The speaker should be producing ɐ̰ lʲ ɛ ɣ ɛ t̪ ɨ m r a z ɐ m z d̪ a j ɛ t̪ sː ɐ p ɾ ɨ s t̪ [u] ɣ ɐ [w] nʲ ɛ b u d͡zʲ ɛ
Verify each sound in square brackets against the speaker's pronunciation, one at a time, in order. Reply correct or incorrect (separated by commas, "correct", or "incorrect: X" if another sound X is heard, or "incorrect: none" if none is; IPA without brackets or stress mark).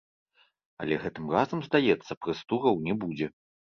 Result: correct, correct